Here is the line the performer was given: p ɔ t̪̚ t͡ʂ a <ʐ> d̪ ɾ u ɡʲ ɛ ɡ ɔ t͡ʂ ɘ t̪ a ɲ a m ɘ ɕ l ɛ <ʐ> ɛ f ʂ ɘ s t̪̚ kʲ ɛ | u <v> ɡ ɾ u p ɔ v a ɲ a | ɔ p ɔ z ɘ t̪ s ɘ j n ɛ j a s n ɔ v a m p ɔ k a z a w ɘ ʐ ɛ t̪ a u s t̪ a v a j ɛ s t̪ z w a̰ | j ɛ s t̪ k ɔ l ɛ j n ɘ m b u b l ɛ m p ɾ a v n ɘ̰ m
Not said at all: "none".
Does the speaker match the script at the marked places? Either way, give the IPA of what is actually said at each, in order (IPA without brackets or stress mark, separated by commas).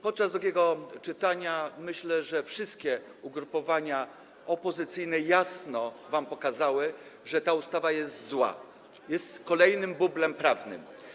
z, ʐ, none